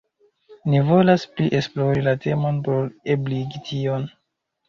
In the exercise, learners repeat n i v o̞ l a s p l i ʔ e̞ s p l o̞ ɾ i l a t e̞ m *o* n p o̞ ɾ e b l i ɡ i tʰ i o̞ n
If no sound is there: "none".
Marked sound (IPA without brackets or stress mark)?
o